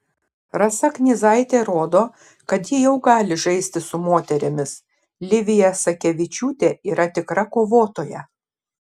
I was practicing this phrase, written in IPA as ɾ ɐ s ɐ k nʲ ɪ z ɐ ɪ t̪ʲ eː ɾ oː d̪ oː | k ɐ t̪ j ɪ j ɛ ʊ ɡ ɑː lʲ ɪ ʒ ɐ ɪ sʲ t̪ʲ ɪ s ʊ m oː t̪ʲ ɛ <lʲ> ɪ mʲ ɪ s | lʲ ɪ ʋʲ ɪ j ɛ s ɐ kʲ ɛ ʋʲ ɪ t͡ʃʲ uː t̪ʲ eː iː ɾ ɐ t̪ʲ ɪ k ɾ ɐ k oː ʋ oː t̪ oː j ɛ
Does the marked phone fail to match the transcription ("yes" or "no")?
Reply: yes